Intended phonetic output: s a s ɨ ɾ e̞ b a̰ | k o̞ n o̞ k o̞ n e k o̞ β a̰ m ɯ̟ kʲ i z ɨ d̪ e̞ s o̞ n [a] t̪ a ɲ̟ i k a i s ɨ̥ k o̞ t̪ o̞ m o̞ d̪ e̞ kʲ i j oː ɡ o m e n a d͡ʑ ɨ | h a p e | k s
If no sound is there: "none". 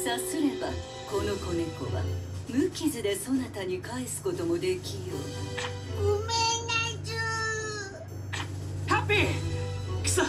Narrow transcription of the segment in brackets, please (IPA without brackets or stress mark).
a